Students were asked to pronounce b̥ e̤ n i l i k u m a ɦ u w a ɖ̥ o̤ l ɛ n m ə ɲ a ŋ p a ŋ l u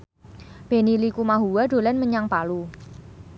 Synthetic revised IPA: b̥ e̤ n i l i k u m a ɦ u w a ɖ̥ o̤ l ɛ n m ə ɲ a ŋ p a l u

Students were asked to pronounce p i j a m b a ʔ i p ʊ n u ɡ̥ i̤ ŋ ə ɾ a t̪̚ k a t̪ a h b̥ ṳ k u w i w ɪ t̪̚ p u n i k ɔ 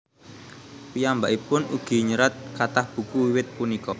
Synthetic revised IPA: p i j a m b a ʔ i p ʊ n u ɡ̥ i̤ ɲ ə ɾ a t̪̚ k a t̪ a h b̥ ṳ k u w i w ɪ t̪̚ p u n i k ɔ

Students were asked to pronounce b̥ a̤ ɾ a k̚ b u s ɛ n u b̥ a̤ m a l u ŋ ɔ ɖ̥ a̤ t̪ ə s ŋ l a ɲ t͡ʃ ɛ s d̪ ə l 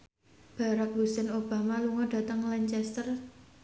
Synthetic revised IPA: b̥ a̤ ɾ a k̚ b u s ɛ n o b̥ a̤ m a l u ŋ ɔ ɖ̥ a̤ t̪ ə ŋ l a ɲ t͡ʃ ɛ s t̪ ə r

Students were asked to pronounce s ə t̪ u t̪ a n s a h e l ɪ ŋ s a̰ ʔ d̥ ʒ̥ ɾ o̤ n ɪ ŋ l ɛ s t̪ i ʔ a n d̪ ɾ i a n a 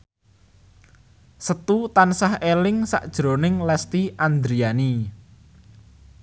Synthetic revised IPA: s ə t̪ u t̪ a n s a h e l ɪ ŋ s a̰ ʔ d̥ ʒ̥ ɾ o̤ n ɪ ŋ l ɛ s t̪ i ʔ a n d̪ ɾ i a n i

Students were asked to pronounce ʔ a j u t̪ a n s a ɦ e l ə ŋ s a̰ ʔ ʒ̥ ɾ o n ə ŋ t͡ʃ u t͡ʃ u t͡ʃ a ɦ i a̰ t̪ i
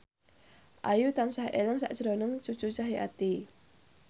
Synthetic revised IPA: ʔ a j u t̪ a n s a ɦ e l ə ŋ s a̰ ʔ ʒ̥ ɾ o n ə ŋ t͡ʃ u t͡ʃ u t͡ʃ a ɦ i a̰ t̪ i

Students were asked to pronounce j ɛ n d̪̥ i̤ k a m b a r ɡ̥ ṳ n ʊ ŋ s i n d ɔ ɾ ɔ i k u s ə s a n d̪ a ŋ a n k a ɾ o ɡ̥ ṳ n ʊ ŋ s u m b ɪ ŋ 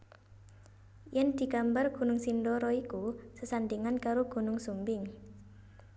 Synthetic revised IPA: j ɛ n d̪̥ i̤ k a m b a r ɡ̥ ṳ n ʊ ŋ s i n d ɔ ɾ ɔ i k u s ə s a n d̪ i ŋ a n k a ɾ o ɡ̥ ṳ n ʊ ŋ s u m b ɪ ŋ

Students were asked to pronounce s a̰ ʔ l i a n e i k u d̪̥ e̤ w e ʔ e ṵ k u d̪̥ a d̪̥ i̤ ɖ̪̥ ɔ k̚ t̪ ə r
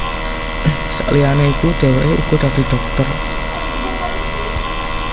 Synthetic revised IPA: s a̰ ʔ l i a n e i k u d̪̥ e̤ w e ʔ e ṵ k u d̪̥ a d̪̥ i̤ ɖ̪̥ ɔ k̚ t̪ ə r

